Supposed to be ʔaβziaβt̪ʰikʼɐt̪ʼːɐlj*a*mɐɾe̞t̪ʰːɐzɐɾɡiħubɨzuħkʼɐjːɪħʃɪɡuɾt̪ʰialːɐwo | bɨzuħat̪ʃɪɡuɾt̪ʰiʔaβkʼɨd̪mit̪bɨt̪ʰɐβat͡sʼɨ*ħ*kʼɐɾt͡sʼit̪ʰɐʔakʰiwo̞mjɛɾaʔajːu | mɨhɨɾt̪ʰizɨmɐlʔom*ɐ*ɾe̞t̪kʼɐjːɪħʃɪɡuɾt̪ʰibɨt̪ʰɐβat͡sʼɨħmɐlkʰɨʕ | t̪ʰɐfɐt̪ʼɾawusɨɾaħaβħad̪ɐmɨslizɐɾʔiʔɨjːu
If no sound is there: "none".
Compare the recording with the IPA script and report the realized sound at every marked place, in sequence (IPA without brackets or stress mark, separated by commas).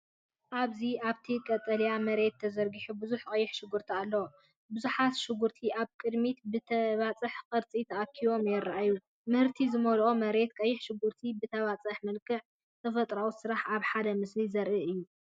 a, ħ, ɐ